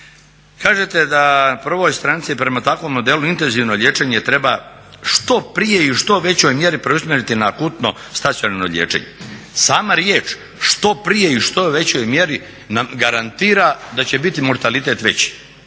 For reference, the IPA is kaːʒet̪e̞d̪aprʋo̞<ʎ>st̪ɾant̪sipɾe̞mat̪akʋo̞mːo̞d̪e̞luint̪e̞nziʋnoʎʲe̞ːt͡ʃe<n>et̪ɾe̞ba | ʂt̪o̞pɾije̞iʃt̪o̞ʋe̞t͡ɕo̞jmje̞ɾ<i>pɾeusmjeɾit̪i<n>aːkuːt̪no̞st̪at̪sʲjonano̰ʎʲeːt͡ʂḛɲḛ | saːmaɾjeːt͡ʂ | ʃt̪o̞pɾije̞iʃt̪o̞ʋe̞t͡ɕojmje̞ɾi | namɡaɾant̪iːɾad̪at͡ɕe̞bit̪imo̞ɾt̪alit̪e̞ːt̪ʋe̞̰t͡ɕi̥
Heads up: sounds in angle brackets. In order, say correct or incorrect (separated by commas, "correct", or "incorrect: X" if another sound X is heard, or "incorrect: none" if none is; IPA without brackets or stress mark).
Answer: incorrect: j, incorrect: ɲ, correct, correct